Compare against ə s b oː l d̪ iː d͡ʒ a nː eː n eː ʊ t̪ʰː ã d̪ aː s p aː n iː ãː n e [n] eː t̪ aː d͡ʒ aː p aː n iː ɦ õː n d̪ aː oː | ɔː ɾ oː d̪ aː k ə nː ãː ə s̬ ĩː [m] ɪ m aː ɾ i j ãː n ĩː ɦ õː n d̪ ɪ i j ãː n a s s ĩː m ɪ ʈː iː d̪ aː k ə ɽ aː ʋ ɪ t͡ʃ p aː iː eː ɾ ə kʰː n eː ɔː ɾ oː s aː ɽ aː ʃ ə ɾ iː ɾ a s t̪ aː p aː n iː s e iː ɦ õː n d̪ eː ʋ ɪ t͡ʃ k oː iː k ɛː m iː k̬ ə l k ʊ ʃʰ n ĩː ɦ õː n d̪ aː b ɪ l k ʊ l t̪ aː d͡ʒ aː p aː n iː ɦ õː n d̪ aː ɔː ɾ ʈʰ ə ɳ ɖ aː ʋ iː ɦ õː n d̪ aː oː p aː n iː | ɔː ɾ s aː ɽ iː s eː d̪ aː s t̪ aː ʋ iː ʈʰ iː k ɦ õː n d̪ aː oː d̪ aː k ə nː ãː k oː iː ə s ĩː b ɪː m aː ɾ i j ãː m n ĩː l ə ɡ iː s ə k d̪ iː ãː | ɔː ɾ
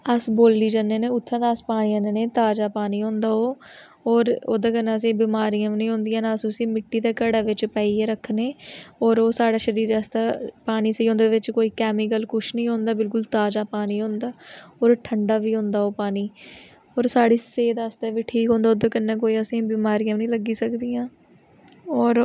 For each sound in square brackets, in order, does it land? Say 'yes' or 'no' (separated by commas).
yes, no